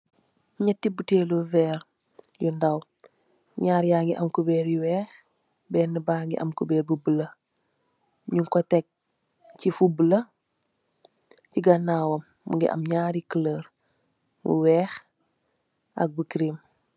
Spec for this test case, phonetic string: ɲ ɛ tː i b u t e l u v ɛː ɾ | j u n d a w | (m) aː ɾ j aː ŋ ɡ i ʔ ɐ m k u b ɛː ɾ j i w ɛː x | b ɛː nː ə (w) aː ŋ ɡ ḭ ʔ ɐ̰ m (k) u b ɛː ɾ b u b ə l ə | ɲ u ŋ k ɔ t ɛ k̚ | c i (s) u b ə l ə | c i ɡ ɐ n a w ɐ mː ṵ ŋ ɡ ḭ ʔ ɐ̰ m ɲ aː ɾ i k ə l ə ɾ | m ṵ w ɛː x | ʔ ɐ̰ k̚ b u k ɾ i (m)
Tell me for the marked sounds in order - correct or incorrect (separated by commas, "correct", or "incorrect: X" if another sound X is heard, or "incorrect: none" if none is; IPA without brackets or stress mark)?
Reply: incorrect: ɲ, incorrect: b, correct, incorrect: f, correct